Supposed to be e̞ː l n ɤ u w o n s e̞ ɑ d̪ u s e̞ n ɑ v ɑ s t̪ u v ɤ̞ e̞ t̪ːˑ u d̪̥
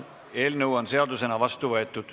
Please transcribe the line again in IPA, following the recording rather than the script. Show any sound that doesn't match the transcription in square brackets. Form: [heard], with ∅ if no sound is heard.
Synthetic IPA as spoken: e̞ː l n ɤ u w o n s e̞ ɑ d̪ u s e̞ n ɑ v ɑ s t̪ u v ɤ̞ e̞ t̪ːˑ u d̪̥